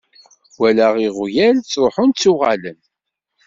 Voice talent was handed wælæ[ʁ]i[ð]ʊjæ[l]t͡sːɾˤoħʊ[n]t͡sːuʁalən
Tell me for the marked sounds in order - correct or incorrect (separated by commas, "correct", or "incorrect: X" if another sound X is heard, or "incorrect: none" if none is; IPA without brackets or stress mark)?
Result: correct, incorrect: ʁ, correct, correct